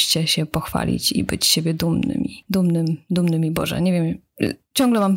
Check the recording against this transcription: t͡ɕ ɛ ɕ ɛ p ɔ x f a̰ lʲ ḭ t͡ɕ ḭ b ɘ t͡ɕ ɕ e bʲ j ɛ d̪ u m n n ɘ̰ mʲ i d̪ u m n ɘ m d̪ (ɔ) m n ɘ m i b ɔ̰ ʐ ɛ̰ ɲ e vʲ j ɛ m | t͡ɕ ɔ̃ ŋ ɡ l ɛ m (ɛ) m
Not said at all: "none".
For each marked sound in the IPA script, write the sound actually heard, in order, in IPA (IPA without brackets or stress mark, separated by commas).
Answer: u, a